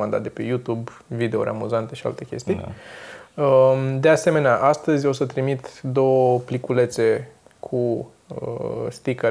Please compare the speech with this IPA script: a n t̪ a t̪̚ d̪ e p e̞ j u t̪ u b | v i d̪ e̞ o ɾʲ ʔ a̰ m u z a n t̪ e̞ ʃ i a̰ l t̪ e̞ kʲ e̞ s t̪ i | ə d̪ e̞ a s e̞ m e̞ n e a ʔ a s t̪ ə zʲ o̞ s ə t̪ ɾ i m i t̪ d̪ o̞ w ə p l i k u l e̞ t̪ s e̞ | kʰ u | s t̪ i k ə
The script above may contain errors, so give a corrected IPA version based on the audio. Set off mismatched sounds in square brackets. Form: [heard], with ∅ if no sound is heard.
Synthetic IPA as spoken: a n [d̪] a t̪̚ d̪ e p e̞ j u t̪ u b | v i d̪ e̞ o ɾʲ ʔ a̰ m u z a n t̪ e̞ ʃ i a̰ l t̪ e̞ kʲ e̞ s t̪ i | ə d̪ e̞ a s e̞ m e̞ n e a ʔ a s t̪ ə zʲ o̞ s ə t̪ ɾ i m i t̪ d̪ o̞ w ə p l i k u l e̞ t̪ s e̞ | kʰ u | s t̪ i k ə